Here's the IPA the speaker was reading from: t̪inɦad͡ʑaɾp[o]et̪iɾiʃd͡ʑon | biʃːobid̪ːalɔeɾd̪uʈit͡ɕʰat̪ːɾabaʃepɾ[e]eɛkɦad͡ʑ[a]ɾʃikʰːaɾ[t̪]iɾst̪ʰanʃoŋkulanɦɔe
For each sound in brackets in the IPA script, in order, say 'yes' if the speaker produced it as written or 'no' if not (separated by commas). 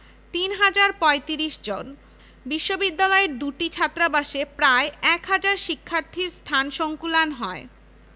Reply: no, no, yes, no